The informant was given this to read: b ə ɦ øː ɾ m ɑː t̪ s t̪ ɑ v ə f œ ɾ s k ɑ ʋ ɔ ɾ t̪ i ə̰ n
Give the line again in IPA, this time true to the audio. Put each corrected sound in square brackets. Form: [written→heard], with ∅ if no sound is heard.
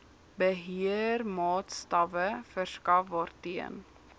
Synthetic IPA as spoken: b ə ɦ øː ɾ m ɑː t̪ s t̪ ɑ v ə f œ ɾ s k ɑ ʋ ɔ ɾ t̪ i ə̰ n